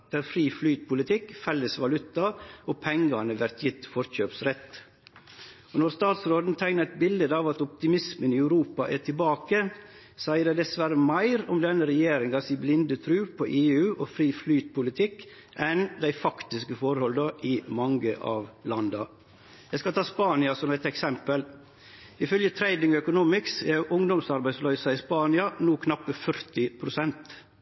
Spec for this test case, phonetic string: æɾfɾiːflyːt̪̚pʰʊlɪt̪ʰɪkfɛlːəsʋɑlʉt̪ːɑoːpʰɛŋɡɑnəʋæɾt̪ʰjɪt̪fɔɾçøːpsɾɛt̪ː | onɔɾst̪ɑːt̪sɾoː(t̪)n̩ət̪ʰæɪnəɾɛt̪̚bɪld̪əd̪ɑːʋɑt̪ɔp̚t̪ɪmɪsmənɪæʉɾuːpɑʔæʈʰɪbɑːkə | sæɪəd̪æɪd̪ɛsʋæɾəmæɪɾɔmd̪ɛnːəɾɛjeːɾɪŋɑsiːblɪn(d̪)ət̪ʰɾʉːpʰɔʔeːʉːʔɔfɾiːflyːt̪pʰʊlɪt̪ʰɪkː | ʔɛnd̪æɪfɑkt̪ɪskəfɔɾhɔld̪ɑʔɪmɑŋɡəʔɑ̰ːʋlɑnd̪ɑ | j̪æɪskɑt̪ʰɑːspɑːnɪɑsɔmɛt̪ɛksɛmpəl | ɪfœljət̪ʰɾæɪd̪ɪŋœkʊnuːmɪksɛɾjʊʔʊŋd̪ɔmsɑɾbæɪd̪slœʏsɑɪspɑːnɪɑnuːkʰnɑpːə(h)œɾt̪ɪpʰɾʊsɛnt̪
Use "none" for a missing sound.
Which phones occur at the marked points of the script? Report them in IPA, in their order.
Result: d̪, d̪, f

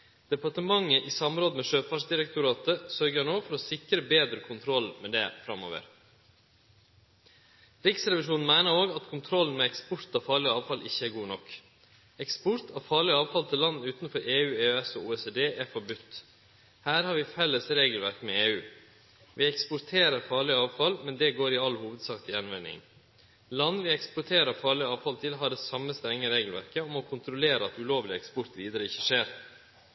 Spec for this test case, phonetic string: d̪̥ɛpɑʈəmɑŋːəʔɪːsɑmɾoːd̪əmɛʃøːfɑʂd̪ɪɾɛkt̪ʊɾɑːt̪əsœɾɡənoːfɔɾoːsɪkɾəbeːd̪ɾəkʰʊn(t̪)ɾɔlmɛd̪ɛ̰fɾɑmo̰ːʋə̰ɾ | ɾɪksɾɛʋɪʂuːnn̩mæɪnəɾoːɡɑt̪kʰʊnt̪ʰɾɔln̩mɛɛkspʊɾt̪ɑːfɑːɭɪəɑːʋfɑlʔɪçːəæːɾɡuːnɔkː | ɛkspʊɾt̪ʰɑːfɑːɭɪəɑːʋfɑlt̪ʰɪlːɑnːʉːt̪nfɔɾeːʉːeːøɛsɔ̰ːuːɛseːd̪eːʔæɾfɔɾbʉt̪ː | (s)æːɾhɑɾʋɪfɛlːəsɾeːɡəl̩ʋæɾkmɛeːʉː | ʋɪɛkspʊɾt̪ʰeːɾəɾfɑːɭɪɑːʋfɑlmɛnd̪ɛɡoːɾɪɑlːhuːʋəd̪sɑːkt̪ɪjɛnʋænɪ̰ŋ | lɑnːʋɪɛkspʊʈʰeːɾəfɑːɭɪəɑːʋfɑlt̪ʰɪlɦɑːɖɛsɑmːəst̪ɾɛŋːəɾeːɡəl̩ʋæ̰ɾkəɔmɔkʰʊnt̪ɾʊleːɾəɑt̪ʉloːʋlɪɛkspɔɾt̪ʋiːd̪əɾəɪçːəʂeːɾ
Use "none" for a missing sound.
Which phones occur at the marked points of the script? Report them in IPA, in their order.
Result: t̪ʰ, h

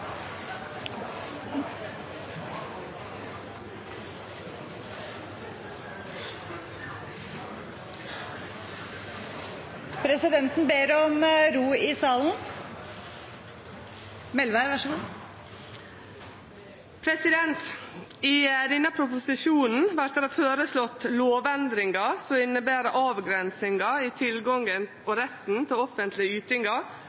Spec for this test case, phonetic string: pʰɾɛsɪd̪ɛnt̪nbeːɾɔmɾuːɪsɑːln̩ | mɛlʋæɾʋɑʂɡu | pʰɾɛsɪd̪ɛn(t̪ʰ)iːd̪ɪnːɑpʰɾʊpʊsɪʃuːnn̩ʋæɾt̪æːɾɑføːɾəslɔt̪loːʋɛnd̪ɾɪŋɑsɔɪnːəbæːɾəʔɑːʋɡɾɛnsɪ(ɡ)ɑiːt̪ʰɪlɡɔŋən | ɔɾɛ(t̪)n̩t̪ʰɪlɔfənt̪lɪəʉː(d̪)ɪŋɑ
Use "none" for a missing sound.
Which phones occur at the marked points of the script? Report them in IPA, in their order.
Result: t̪, ŋ, t̪, t̪

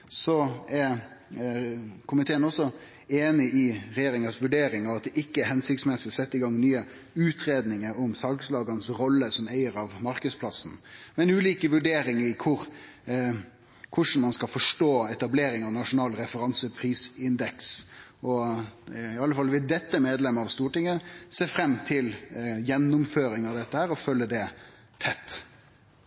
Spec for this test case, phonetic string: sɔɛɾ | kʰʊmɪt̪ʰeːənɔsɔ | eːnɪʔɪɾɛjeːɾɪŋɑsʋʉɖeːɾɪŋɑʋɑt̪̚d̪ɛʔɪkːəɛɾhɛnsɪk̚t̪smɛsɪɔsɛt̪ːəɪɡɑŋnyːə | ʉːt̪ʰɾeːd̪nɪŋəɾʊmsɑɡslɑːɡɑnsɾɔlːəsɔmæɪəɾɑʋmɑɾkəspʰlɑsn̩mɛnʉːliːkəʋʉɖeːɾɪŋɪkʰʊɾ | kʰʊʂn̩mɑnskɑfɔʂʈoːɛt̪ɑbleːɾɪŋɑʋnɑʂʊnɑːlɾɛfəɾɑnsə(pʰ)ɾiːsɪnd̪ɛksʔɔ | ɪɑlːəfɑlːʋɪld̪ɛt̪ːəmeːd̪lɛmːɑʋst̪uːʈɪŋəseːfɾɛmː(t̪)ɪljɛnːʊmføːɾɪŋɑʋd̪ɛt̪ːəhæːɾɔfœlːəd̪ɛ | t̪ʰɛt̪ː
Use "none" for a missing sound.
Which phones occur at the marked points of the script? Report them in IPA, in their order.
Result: pʰ, t̪ʰ

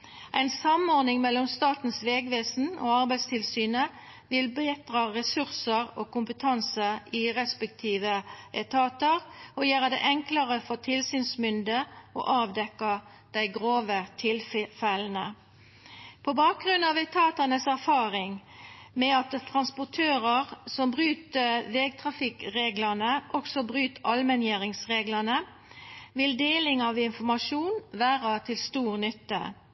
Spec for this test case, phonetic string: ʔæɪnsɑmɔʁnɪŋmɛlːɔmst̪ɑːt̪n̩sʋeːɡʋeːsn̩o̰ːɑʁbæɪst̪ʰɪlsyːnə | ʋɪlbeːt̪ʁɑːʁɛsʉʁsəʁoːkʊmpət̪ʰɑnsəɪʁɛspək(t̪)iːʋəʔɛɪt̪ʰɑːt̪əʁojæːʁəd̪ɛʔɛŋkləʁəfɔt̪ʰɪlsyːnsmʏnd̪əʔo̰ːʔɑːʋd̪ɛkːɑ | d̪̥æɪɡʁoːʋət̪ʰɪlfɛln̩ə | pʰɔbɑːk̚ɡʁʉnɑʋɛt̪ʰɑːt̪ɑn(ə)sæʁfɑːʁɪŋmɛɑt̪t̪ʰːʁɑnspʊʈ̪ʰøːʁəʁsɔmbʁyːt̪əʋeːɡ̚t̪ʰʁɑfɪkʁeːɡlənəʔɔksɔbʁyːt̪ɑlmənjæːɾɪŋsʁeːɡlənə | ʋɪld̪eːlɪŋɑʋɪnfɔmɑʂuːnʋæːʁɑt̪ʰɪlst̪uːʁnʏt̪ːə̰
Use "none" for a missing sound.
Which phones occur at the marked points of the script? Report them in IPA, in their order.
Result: t̪ʰ, ə

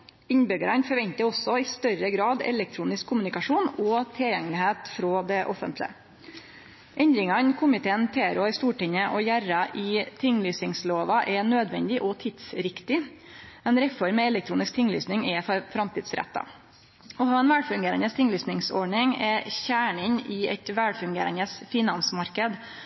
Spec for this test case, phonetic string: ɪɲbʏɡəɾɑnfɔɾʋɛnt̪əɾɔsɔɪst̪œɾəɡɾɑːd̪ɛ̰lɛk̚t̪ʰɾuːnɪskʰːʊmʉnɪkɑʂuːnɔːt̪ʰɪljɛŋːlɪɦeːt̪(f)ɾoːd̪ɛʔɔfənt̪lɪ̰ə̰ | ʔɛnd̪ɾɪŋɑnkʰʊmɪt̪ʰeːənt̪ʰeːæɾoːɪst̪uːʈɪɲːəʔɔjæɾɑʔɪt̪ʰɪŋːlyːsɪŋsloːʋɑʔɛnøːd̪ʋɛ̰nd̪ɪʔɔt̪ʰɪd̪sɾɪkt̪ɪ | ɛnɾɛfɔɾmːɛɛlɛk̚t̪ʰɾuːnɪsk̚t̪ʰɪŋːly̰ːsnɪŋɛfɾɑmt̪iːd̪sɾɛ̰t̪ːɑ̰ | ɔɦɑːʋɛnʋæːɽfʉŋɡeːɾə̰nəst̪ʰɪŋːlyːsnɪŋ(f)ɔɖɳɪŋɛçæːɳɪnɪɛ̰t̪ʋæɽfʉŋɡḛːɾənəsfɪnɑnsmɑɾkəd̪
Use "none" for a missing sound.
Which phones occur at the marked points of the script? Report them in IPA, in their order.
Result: f, s

